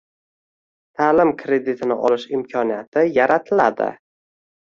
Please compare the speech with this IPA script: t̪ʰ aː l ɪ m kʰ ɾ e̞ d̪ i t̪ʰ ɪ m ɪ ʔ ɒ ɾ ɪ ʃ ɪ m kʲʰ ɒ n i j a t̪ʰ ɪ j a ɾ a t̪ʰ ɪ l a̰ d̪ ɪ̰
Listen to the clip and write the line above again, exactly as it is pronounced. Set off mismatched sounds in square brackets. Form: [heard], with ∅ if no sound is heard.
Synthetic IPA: t̪ʰ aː l ɪ m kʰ ɾ e̞ d̪ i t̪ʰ ɪ [n] ɪ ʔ ɒ [l] ɪ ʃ ɪ m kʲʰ ɒ n i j a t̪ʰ ɪ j a ɾ a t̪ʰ ɪ l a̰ d̪ ɪ̰